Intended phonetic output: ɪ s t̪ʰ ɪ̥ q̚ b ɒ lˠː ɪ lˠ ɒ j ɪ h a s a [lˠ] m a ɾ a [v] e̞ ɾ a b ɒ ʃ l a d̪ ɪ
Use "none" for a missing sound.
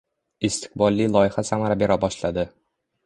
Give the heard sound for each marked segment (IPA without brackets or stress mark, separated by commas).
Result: none, b